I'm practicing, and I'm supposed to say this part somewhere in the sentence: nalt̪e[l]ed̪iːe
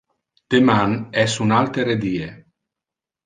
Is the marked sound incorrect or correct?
incorrect: ɾ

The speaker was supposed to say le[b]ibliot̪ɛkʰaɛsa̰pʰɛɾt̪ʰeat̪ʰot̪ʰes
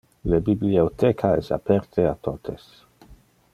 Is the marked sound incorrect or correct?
correct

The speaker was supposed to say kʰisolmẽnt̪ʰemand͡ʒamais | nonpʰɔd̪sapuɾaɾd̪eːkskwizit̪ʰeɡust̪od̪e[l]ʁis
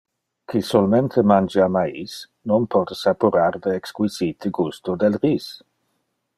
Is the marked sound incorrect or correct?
correct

